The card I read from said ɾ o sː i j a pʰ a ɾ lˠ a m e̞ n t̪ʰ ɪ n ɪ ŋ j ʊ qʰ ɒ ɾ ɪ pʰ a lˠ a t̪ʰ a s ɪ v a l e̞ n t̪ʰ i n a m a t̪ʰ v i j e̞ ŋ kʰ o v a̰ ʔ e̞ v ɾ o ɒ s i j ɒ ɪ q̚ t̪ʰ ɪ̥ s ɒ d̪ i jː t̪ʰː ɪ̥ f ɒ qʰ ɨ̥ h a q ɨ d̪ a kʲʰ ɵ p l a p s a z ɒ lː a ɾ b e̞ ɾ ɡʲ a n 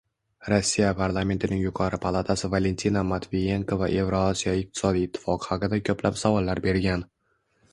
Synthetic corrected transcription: ɾ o sː i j a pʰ a ɾ lˠ a m e̞ n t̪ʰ ɪ n ɪ ŋ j ʊ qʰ ɒ ɾ ɪ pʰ a lˠ a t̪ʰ a s ɪ v a l e̞ n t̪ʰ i n a m a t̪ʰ v i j e̞ ŋ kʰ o v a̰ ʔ e̞ v ɾ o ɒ s i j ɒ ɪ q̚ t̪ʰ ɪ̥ s ɒ d̪ i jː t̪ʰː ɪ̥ f ɒ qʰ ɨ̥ h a q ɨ d̪ a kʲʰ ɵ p l a p s a v ɒ lː a ɾ b e̞ ɾ ɡʲ a n

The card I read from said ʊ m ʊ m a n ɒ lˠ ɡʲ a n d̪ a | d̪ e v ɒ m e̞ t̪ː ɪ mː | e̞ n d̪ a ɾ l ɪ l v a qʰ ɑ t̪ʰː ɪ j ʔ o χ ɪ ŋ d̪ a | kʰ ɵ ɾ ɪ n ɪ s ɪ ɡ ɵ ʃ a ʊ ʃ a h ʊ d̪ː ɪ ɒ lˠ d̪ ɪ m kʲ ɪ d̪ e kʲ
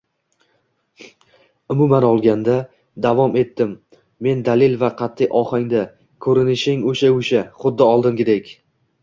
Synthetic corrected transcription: ʊ m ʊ m a n ɒ lˠ ɡʲ a n d̪ a | d̪ a v ɒ m e̞ t̪ː ɪ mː | e̞ n d̪ a l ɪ l v a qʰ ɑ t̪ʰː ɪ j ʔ ɒ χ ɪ ŋ d̪ a | kʰ ɵ ɾ ɪ n ɪ ʃ ɪ ŋ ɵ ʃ a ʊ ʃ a χ ʊ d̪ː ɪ ɒ lˠ d̪ ɪ m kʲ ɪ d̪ e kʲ

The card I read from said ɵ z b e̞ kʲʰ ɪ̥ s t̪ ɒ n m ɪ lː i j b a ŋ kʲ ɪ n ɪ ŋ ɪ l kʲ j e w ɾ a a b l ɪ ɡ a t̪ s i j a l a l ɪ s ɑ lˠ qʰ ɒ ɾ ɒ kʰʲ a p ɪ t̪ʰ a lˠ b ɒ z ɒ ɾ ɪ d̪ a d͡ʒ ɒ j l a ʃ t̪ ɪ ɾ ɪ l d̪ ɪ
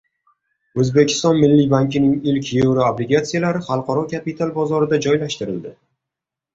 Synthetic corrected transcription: ɵ z b e̞ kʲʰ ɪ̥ s t̪ ɒ n m ɪ lː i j b a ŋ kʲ ɪ n ɪ ŋ ɪ l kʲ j e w ɾ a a b l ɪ ɡ a t̪ s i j a l a ɾ ɪ χ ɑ lˠ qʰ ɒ ɾ ɒ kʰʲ a p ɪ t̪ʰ a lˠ b ɒ z ɒ ɾ ɪ d̪ a d͡ʒ ɒ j l a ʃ t̪ ɪ ɾ ɪ l d̪ ɪ

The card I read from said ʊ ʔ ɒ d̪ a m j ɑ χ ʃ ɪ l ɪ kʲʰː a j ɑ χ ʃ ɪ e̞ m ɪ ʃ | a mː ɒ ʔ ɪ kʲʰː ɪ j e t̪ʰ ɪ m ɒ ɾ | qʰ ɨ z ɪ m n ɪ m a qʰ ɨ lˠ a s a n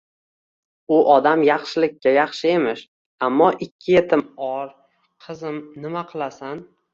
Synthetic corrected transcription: ʊ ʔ ɒ d̪ a m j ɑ χ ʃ ɪ l ɪ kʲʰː a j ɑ χ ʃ ɪ e̞ m ɪ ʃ | a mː ɒ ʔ ɪ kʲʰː ɪ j e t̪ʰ ɪ m ɒ ɾ | qʰ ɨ z ɪ m n ɪ m a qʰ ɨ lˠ a s a n

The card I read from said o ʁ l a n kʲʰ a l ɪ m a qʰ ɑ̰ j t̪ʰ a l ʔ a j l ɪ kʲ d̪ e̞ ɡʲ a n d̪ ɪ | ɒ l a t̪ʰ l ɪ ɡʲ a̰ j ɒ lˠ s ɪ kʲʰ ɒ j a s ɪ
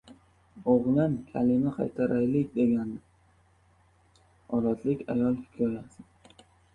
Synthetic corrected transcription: o ʁ l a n kʲʰ a l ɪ m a qʰ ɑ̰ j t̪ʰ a ɾ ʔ a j l ɪ kʲ d̪ e̞ ɡʲ a n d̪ ɪ | ɒ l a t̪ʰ l ɪ kʲ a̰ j ɒ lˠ h ɪ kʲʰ ɒ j a s ɪ

